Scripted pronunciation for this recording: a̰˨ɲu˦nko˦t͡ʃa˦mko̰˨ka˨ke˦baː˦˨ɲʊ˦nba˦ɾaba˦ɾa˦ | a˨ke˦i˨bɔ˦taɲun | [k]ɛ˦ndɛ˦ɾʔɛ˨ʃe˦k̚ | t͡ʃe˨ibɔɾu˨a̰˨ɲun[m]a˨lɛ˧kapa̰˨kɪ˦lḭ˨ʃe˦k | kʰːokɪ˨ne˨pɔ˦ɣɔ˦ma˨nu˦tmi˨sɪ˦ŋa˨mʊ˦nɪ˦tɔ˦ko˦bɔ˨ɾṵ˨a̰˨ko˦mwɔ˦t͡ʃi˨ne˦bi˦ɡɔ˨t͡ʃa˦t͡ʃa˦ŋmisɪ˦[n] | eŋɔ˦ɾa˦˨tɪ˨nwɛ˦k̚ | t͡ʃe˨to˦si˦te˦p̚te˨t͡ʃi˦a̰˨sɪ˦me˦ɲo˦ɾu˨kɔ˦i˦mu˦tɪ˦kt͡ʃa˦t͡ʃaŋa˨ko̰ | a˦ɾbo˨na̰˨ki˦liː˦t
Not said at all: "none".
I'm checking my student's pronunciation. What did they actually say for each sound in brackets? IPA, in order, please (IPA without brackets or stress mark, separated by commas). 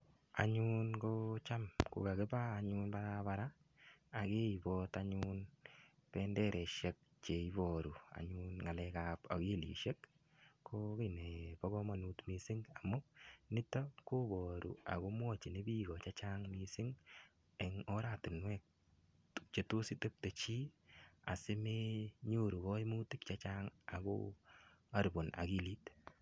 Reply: p, ŋ, ŋ